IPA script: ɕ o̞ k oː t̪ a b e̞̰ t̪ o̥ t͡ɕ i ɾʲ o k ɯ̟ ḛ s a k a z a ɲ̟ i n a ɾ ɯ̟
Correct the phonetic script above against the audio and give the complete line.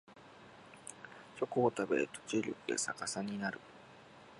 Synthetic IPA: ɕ o̞ k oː t̪ a b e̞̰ t̪ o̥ t͡ɕ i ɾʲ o k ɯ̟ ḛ s a k a s a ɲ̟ i n a ɾ ɯ̟

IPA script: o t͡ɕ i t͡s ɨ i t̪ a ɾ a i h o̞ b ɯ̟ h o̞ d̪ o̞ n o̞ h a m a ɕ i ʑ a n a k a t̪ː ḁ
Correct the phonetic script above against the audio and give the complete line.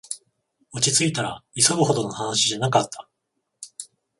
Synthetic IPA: o t͡ɕ i t͡s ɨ i t̪ a ɾ a i s o̞ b ɯ̟ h o̞ d̪ o̞ n o̞ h a n a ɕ i ʑ a n a k a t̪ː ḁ

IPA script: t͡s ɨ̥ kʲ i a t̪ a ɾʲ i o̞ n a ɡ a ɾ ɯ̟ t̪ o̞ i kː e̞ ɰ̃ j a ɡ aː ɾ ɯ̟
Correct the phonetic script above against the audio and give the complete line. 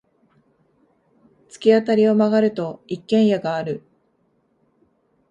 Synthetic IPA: t͡s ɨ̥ kʲ i a t̪ a ɾʲ i o̞ m a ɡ a ɾ ɯ̟ t̪ o̞ i kː ẽ̞ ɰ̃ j a ɡ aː ɾ ɯ̟

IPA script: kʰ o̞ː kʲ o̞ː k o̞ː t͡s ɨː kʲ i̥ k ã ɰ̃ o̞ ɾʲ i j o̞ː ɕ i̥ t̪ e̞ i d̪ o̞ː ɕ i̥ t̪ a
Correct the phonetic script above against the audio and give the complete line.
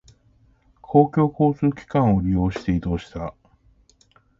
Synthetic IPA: kʰ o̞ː kʲ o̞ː k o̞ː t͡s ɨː kʲ i̥ k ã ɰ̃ o̞ ɾʲ i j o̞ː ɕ i̥ t̪ e̞ i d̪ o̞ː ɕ i̥ t̪ a

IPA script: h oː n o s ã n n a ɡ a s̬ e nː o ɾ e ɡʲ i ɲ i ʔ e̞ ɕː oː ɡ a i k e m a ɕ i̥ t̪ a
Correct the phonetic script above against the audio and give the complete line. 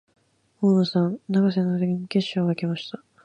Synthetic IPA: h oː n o s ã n n a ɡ a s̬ e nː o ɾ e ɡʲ i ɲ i k e̞ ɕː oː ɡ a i k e m a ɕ i̥ t̪ a

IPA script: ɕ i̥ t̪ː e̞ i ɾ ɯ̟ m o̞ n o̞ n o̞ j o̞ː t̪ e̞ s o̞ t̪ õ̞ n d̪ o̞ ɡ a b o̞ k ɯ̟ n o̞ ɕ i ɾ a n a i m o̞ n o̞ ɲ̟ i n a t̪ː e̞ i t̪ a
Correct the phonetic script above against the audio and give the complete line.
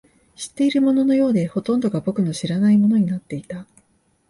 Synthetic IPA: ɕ i̥ t̪ː e̞ i ɾ ɯ̟ m o̞ n o̞ n o̞ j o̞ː d̪ e̞ h o̞ t̪ õ̞ n d̪ o̞ ɡ a b o̞ k ɯ̟ n o̞ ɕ i ɾ a n a i m o̞ n o̞ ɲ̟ i n a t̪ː e̞ i t̪ a

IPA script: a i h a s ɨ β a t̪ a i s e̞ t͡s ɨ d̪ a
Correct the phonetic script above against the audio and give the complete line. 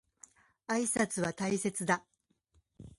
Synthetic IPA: a i s a t͡s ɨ β a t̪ a i s e̞ t͡s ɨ d̪ a

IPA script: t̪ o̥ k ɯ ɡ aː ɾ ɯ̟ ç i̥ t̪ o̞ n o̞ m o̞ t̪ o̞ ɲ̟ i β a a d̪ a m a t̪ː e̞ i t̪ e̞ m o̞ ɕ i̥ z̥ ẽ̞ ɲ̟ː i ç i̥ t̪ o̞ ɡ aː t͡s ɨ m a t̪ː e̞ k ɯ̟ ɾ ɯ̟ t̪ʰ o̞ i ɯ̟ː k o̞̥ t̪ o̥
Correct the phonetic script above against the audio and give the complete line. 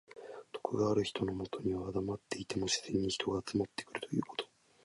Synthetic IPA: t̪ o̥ k ɯ ɡ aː ɾ ɯ̟ ç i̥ t̪ o̞ n o̞ m o̞ t̪ o̞ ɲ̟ i β a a d̪ a m a t̪ː e̞ i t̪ e̞ m o̞ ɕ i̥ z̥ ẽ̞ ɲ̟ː i ç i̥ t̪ o̞ ɡ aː t͡s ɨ m a t̪ː e̞ k ɯ̟ ɾ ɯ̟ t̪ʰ o̞ j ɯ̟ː k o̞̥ t̪ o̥

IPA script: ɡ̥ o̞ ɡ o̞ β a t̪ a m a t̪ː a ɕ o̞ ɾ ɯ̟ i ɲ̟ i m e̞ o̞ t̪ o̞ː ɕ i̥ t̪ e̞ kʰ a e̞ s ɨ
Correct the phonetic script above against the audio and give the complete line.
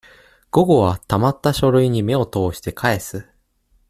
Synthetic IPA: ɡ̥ o̞ ɡ o̞ β a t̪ a m a t̪ː a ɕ o̞ ɾ ɯ̟ i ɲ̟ i m e̞ o̞ t̪ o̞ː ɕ i̥ t̪ e̞ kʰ a e̞ s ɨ

